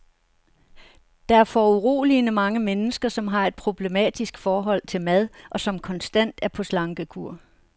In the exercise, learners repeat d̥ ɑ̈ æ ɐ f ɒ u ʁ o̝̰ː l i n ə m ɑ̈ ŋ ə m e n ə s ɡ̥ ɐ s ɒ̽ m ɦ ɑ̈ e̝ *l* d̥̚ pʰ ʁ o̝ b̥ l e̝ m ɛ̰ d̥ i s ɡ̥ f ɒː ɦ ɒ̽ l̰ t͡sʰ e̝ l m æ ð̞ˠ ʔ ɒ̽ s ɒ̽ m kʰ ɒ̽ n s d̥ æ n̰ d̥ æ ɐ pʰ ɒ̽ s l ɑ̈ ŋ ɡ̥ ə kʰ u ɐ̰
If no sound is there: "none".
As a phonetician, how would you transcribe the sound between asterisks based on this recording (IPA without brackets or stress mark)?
none